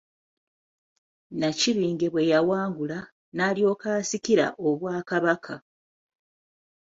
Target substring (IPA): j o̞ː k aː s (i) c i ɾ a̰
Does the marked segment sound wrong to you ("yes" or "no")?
no